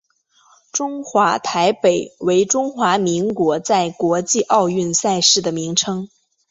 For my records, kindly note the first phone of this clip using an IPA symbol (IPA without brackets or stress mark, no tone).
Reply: ʈ͡ʂ